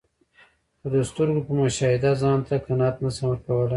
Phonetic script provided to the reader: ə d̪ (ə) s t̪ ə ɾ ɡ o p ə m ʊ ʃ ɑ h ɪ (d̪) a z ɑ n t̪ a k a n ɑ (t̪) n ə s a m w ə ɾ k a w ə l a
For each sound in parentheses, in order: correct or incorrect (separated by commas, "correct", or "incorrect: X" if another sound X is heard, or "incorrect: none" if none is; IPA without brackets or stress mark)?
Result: correct, correct, correct